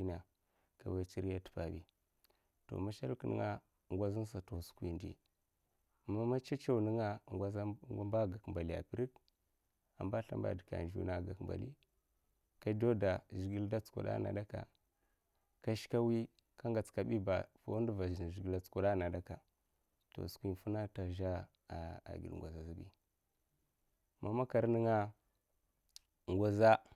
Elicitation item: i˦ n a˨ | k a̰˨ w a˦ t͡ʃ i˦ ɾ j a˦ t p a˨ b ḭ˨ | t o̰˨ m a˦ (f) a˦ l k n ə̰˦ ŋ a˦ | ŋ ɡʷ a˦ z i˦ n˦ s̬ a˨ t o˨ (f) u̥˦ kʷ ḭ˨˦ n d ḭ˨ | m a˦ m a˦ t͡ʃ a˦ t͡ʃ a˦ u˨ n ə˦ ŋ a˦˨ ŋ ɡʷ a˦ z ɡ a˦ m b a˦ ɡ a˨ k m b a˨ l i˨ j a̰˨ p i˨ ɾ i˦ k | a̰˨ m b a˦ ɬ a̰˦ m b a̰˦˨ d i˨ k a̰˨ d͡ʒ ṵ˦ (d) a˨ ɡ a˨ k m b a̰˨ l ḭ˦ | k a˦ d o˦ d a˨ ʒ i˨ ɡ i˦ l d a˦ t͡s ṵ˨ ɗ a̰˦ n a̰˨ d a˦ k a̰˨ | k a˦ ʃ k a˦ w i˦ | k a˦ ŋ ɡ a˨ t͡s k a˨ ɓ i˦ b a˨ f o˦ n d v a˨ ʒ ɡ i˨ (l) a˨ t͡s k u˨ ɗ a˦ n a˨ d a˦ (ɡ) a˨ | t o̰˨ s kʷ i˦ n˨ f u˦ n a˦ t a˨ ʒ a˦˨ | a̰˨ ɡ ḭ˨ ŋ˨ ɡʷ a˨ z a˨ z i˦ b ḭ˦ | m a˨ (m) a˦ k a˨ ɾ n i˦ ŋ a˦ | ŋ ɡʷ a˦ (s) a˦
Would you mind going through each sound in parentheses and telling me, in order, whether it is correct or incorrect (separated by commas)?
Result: incorrect, incorrect, incorrect, correct, incorrect, correct, incorrect